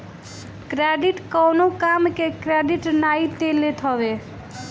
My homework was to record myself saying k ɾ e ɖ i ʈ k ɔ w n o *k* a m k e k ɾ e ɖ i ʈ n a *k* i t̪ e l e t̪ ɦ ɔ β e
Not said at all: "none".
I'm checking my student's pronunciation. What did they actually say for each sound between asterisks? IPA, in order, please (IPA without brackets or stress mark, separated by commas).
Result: k, none